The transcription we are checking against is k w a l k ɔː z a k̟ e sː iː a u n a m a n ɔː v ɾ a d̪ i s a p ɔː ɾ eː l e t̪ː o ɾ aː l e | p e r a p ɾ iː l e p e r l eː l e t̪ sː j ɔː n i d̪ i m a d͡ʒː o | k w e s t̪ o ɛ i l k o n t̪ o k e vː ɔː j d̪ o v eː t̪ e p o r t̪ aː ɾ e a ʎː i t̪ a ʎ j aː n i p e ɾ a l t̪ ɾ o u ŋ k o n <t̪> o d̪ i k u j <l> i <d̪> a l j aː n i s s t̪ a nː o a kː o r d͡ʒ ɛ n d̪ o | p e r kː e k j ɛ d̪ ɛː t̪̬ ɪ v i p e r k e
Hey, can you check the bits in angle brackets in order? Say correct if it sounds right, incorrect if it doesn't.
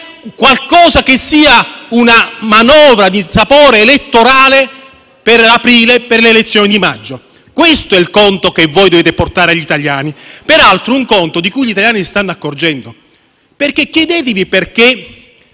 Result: correct, incorrect: ʎ, incorrect: t̪

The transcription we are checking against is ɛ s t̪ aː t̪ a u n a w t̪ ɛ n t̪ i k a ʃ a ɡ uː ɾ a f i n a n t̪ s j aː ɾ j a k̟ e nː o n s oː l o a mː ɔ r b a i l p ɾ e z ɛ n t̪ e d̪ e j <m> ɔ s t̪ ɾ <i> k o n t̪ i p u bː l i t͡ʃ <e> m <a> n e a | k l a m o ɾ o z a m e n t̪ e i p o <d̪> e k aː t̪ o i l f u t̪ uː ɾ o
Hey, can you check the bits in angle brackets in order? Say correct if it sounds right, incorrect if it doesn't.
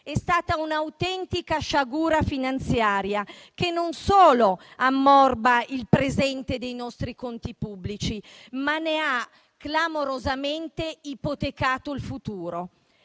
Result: incorrect: n, correct, incorrect: i, correct, incorrect: t̪

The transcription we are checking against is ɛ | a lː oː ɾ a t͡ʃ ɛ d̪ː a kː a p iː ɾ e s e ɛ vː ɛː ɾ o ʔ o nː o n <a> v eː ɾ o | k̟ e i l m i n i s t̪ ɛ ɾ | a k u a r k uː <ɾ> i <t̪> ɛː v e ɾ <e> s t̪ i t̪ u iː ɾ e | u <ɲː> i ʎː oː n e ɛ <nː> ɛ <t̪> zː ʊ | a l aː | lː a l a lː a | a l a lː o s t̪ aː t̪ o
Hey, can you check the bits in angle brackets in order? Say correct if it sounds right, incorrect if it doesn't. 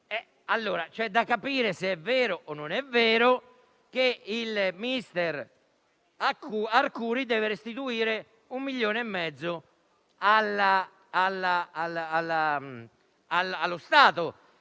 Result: incorrect: ɛ, correct, incorrect: d̪, correct, incorrect: mː, incorrect: mː, incorrect: d̪

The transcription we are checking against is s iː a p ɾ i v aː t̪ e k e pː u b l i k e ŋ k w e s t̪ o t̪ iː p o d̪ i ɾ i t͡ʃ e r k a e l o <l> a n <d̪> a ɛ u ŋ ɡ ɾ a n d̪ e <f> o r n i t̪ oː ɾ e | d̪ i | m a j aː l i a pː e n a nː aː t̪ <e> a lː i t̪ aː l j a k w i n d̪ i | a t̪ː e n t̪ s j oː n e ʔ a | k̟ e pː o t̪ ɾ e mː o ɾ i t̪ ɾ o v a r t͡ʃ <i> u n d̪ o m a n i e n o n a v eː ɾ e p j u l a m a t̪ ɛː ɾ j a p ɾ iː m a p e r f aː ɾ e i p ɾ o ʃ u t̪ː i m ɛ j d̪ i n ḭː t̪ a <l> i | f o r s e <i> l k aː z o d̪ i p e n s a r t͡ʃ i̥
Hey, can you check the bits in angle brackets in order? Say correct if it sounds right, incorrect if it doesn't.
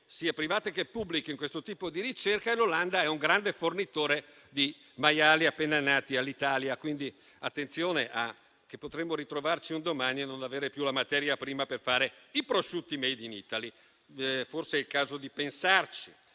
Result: correct, correct, correct, incorrect: i, correct, correct, incorrect: ɛ

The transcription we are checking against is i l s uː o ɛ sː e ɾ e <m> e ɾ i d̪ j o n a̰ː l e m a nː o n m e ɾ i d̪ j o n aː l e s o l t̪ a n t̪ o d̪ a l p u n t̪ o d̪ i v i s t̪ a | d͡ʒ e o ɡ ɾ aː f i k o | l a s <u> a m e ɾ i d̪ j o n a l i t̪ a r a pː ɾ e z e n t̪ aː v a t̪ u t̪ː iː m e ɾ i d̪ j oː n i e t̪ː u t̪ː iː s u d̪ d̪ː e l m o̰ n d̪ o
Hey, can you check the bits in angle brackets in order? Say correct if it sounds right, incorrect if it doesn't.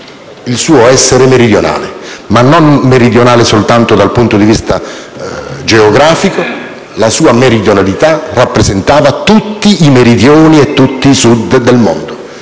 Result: correct, incorrect: uː

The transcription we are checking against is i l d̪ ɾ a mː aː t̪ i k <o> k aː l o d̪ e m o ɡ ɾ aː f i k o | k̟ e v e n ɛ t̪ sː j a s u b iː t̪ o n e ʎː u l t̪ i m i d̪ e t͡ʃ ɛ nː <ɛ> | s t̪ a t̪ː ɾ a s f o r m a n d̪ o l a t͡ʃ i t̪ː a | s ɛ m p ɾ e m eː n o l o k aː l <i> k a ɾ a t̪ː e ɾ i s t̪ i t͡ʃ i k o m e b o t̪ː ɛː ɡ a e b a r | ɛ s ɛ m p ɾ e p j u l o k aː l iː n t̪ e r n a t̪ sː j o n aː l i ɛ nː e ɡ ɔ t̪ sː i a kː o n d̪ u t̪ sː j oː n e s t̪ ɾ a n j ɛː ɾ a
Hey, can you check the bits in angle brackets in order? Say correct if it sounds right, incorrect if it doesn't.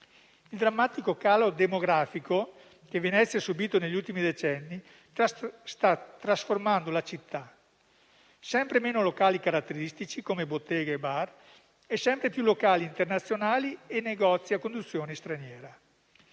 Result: correct, incorrect: i, correct

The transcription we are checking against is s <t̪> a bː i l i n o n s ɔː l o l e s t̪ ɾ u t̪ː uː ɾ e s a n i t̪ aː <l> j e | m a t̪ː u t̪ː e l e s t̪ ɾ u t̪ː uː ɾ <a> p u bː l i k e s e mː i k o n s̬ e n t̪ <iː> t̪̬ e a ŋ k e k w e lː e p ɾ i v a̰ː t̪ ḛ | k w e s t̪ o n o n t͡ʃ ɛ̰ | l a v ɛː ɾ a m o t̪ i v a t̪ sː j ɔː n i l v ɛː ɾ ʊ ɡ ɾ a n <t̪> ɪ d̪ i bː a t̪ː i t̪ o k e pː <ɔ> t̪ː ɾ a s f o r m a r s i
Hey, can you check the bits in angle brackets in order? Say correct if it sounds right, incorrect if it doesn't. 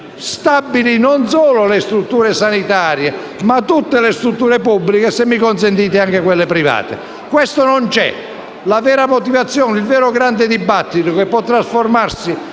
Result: correct, incorrect: ɾ, incorrect: e, correct, incorrect: d̪, correct

